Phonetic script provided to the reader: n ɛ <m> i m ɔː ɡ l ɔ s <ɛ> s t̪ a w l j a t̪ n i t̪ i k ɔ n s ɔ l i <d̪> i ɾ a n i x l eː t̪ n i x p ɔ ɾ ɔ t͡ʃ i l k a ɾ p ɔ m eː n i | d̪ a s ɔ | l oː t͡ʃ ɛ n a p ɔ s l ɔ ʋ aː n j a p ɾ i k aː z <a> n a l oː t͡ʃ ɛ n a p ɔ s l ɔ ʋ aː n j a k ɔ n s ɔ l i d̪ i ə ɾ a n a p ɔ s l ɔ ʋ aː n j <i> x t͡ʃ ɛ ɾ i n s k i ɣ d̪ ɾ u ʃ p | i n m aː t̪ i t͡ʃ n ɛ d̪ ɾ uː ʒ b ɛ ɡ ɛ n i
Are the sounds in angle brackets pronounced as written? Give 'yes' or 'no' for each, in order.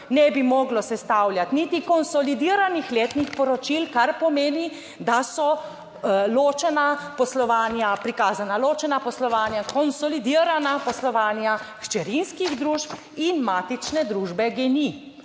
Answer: no, yes, yes, yes, no

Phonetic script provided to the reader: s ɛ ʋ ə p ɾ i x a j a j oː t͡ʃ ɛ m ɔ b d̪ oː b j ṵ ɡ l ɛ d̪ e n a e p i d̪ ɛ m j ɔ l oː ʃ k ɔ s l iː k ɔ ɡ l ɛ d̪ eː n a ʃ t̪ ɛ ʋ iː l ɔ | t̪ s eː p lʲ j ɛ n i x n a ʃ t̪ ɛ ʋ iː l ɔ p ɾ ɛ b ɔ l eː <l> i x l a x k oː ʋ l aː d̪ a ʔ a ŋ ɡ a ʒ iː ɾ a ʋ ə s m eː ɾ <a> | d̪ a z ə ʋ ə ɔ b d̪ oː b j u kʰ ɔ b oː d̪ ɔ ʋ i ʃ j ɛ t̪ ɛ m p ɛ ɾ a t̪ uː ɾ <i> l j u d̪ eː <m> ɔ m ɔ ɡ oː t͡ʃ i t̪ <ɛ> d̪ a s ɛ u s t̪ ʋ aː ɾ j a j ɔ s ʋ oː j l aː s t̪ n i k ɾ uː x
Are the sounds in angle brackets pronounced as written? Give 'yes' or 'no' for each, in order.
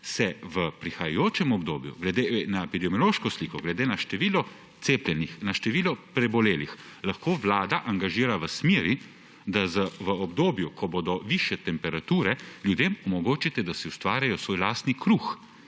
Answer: yes, no, no, yes, yes

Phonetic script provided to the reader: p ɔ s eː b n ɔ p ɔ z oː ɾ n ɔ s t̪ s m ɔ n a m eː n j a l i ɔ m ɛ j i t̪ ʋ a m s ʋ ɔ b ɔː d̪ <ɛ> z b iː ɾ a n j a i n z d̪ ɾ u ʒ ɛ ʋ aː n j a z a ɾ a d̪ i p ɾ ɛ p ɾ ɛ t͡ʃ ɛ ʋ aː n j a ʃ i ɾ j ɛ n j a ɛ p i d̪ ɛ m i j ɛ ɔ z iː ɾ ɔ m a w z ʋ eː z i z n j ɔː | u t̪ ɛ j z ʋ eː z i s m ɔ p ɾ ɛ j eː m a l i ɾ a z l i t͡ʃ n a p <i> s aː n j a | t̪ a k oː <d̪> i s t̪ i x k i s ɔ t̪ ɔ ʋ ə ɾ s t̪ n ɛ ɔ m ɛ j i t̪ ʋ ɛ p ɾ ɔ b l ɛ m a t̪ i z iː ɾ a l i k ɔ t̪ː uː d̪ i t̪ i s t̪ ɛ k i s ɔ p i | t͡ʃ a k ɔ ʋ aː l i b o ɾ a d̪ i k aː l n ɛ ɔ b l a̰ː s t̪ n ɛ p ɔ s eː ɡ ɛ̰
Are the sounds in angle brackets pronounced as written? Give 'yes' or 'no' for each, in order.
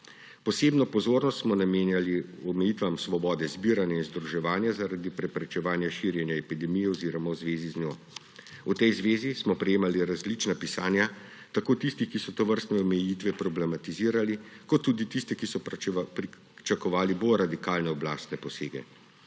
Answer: yes, yes, no

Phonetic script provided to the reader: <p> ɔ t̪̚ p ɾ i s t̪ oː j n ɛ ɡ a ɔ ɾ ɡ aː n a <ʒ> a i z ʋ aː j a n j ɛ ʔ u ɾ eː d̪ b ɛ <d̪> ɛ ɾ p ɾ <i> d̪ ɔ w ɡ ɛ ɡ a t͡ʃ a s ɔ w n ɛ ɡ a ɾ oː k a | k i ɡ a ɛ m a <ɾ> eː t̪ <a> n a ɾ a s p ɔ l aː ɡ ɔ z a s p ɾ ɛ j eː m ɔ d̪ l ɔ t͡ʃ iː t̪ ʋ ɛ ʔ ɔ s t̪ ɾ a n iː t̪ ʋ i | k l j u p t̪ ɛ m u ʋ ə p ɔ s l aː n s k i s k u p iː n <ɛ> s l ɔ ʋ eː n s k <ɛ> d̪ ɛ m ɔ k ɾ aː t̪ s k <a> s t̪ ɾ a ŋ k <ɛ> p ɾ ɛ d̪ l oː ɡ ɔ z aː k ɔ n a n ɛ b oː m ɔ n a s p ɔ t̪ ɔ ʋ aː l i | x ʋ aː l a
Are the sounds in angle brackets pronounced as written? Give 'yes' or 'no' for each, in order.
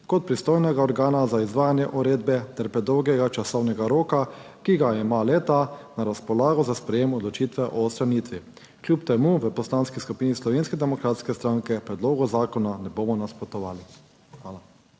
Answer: no, no, no, no, no, yes, no, yes, no, yes

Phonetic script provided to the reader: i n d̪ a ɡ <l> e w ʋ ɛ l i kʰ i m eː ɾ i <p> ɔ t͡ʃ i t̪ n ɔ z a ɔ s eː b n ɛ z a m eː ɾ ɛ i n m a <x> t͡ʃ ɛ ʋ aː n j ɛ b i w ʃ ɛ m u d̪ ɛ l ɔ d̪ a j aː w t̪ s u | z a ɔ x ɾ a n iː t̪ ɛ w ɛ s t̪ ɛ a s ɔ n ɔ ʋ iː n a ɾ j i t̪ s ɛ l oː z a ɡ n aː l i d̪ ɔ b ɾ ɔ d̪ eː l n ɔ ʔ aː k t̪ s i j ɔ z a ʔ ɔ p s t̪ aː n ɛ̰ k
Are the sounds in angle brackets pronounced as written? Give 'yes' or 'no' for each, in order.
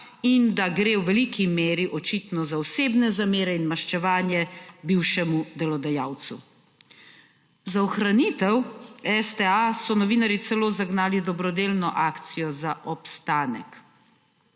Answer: no, no, no

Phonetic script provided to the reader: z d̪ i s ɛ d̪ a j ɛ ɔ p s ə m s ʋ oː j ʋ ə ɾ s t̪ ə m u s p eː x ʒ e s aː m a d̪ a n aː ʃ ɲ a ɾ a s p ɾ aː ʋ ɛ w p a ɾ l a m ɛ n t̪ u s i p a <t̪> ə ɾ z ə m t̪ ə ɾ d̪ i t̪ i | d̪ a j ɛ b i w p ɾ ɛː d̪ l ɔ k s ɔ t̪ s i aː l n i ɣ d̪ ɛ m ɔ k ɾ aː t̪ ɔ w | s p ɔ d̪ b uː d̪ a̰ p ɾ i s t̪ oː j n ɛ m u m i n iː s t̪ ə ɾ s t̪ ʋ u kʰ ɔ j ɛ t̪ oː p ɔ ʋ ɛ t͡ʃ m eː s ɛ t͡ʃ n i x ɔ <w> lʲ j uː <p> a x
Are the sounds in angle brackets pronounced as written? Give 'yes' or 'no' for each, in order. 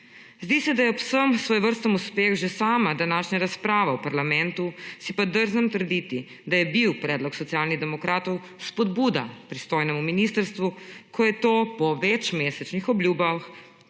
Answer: no, no, no

